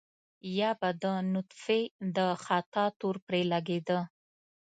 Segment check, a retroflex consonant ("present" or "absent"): absent